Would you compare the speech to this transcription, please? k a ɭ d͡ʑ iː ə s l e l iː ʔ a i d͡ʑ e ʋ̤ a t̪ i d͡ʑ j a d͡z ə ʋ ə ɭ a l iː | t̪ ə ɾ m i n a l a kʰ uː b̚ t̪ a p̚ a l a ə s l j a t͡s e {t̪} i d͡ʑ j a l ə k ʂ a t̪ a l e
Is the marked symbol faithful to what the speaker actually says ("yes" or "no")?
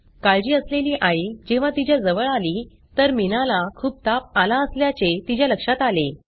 yes